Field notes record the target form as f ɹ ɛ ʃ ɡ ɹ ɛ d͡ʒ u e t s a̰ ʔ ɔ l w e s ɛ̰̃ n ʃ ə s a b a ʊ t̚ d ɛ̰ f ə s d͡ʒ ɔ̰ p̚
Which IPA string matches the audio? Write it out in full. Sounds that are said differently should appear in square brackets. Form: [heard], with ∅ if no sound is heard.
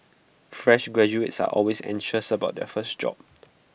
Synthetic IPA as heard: f ɹ ɛ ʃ ɡ ɹ ɛ d͡ʒ u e t s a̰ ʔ ɔ l w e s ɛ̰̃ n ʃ ə s [ə] b a ʊ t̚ d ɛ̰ f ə s d͡ʒ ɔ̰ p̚